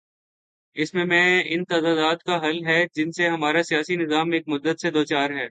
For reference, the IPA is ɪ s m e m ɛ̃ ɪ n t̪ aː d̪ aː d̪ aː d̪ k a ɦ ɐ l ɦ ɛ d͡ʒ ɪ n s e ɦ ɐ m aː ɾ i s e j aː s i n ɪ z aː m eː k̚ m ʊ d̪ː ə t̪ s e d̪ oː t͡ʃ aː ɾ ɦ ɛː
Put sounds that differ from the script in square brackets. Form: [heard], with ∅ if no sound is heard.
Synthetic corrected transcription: ɪ s m [ẽ] m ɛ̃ ɪ n t̪ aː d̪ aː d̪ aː d̪ k a ɦ ɐ l ɦ ɛ d͡ʒ ɪ n s e ɦ ɐ m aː ɾ [a] s [i] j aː s i n ɪ z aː m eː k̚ m ʊ d̪ː ə t̪ s e d̪ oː t͡ʃ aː ɾ ɦ ɛː